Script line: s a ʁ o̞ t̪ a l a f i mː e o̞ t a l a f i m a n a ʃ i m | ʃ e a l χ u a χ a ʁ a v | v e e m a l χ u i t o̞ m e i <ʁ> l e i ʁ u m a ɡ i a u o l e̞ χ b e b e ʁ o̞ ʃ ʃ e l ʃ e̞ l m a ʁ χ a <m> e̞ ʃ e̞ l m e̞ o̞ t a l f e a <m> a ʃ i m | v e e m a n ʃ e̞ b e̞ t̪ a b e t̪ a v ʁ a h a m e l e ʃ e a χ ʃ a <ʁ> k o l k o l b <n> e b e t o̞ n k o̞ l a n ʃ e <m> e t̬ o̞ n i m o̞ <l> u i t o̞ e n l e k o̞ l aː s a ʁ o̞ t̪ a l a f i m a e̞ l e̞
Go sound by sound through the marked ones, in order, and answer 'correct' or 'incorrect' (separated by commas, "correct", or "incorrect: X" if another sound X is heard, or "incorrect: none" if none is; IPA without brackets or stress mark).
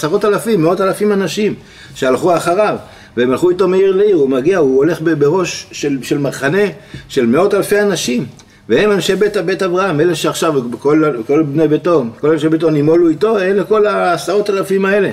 correct, incorrect: n, incorrect: n, incorrect: v, correct, incorrect: b, correct